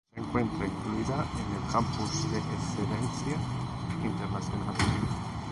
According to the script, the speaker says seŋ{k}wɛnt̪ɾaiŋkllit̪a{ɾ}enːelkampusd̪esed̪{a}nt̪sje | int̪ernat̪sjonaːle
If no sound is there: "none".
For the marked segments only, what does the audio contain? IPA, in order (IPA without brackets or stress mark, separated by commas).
k, none, ɛ